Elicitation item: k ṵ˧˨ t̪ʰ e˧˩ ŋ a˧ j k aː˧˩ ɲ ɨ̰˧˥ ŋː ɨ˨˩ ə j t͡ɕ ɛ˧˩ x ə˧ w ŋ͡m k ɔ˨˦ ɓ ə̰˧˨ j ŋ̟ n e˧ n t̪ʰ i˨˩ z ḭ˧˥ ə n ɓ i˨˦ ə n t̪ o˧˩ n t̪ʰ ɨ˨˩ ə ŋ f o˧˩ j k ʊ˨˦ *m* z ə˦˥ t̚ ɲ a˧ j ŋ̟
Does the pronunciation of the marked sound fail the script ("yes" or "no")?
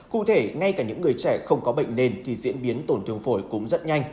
yes